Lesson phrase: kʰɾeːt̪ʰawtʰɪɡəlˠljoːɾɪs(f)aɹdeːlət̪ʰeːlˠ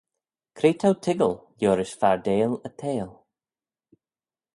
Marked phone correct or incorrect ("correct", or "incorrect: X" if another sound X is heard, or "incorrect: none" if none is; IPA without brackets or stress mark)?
correct